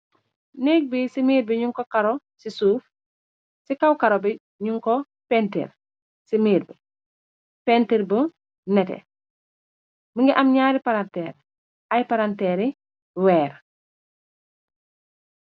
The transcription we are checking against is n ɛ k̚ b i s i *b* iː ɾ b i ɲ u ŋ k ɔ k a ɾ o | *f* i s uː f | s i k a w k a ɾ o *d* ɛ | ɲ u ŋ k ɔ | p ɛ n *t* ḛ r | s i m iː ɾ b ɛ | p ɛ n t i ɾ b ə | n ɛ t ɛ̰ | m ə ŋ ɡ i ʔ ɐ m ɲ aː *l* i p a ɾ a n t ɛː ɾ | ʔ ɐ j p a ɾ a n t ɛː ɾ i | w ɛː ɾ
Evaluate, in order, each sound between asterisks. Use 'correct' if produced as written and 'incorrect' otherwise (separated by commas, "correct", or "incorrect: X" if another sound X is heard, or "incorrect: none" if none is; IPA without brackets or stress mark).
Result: incorrect: m, incorrect: s, incorrect: b, correct, incorrect: ɾ